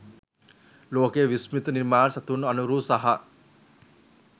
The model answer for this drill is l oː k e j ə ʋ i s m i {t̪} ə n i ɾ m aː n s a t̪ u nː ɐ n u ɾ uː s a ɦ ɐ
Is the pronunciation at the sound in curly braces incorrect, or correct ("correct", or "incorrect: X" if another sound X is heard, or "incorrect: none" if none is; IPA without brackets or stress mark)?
correct